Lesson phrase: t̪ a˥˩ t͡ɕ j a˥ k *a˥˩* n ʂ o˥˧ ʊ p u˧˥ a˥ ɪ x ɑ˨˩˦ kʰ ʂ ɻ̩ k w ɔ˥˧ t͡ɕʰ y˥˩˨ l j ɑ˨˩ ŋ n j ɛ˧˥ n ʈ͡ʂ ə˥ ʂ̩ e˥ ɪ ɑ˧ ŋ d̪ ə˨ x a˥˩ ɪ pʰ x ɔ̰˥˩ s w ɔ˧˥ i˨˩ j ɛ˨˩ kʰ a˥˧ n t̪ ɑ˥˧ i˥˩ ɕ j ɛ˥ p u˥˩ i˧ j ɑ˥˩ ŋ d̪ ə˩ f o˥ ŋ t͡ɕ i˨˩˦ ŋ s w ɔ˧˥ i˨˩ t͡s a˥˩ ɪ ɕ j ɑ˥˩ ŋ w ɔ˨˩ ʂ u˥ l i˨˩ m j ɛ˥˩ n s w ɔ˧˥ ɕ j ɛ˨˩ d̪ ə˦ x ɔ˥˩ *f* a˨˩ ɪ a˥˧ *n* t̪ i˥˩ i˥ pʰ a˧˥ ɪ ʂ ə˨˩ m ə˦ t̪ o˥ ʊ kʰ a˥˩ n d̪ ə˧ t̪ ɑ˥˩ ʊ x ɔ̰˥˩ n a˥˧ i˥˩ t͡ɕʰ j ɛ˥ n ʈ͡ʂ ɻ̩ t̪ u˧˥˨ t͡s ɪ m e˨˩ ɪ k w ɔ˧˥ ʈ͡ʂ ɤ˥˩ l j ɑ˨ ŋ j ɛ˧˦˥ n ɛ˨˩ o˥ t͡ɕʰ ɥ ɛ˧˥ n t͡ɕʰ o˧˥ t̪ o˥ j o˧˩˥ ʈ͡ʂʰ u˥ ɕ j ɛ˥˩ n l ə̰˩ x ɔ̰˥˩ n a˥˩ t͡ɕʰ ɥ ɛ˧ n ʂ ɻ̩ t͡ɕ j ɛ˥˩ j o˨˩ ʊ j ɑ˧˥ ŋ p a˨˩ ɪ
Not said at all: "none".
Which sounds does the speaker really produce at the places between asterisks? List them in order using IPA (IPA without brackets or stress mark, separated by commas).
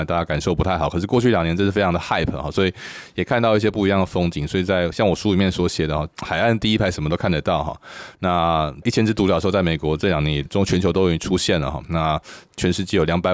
a˨˩, x, n